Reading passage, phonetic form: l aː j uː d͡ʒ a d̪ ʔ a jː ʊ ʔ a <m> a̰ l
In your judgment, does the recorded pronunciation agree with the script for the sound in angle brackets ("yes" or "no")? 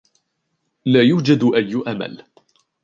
yes